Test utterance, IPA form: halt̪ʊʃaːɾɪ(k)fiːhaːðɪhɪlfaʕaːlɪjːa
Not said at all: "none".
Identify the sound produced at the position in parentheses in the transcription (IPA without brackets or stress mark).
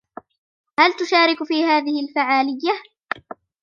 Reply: k